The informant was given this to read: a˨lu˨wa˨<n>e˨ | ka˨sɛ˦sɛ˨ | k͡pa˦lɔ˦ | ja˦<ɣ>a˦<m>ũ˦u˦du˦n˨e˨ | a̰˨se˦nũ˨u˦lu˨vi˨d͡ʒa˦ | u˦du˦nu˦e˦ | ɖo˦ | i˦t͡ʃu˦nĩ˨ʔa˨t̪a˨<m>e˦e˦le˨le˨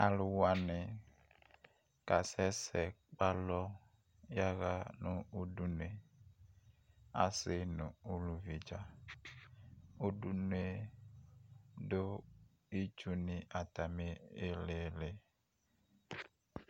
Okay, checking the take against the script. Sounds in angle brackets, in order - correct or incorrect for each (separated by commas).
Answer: correct, correct, incorrect, correct